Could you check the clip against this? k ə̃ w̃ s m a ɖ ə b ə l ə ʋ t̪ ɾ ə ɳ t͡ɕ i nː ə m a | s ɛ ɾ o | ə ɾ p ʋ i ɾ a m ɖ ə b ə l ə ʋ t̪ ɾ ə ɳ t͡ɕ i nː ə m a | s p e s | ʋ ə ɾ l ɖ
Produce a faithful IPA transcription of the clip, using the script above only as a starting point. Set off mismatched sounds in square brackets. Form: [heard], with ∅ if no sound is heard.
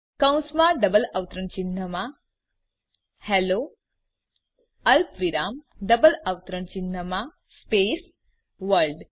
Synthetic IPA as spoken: k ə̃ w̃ s m a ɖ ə b ə l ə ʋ t̪ ɾ ə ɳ t͡ɕ i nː ə m a | [h] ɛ [l] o | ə [l] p ʋ i ɾ a m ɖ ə b ə l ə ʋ t̪ ɾ ə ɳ t͡ɕ i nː ə m a | s p e s | ʋ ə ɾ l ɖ